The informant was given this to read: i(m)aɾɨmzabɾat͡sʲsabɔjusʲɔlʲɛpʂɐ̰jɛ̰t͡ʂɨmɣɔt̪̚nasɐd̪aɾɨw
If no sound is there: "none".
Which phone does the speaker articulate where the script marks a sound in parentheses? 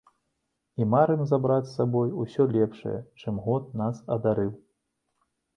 m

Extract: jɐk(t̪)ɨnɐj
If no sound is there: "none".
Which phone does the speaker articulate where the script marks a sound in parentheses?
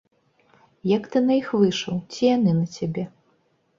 t̪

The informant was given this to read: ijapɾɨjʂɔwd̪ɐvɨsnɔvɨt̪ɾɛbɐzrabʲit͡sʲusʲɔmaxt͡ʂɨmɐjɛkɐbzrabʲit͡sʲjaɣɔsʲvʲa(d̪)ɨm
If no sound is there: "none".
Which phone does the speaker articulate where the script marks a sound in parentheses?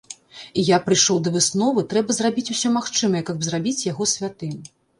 t̪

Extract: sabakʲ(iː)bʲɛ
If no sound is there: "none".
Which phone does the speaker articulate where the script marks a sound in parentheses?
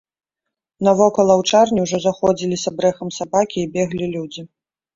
iː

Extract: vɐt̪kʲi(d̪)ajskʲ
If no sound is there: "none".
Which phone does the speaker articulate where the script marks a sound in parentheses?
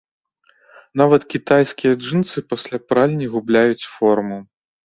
t̪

